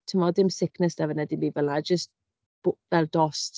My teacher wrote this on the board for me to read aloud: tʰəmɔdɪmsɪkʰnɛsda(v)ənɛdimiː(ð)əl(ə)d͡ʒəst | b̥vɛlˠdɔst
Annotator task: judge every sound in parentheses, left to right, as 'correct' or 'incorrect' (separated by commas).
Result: correct, incorrect, incorrect